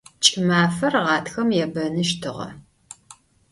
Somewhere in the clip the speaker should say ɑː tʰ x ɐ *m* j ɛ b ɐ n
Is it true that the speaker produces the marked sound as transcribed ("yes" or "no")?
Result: yes